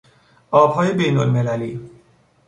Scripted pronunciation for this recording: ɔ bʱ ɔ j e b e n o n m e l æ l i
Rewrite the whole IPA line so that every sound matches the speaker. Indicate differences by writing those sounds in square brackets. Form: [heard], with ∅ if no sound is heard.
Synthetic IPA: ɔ bʱ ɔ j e b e n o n m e l [a] l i